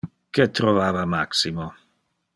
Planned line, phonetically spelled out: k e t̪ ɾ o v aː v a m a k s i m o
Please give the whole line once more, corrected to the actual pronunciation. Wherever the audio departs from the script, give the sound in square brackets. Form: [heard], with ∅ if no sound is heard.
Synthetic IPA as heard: k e t̪ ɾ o v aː v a m a k s i m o